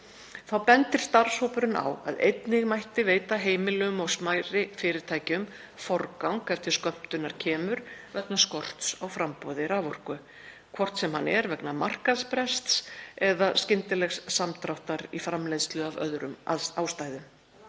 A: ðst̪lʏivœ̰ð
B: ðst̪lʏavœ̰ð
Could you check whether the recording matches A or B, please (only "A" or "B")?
B